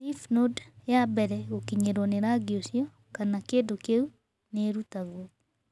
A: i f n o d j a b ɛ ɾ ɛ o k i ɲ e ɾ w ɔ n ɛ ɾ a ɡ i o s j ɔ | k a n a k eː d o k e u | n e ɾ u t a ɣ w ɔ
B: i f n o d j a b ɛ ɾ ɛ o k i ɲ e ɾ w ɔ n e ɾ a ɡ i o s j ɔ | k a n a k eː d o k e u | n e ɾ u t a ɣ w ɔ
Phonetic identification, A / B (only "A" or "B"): B